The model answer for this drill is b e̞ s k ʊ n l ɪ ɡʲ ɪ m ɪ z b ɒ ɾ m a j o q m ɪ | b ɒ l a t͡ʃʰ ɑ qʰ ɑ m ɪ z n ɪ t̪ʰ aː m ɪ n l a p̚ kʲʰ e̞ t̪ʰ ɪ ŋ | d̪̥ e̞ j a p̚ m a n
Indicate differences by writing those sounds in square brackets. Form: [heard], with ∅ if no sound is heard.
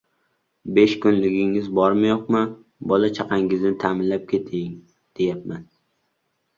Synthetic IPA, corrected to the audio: b e̞ [ʃ] k ʊ n l ɪ ɡʲ ɪ [ŋ] ɪ z b ɒ ɾ m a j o q m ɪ | b ɒ l a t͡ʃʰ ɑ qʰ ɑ [ŋ] ɪ z n ɪ t̪ʰ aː m ɪ n l a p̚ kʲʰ e̞ t̪ʰ ɪ ŋ | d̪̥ e̞ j a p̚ m a n